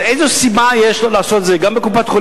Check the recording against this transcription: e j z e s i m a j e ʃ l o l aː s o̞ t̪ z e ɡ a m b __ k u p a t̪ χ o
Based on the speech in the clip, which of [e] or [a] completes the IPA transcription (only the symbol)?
e